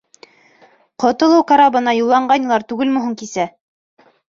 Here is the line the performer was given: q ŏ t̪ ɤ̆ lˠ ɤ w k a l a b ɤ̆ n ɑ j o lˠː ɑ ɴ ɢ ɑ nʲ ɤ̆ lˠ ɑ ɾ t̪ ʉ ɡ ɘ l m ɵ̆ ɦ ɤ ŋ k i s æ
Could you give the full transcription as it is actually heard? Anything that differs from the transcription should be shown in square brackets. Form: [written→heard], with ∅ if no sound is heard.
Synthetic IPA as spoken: q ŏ t̪ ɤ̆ lˠ ɤ w k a [l→ɾ] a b ɤ̆ n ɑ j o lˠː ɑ ɴ ɢ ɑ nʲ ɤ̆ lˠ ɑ ɾ t̪ ʉ ɡ ɘ l m ɵ̆ ɦ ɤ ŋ k i s æ